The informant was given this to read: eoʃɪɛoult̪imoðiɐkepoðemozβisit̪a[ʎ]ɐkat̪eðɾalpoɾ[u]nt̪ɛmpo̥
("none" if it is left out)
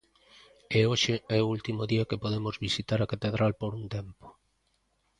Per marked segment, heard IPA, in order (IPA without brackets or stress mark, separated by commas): ɾ, u